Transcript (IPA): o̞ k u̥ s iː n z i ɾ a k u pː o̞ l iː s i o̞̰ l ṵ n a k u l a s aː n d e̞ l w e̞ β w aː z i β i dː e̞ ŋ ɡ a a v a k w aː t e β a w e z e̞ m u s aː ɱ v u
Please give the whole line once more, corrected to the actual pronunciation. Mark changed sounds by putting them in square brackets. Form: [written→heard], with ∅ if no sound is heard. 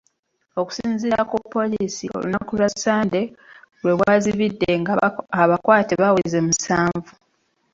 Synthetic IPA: o̞ k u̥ s iː n z i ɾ a k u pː o̞ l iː s i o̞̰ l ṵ n a k u l a s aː n d e̞ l w e̞ β w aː z i β i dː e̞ ŋ ɡ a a [v→β] a k w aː t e β a w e z e̞ m u s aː ɱ v u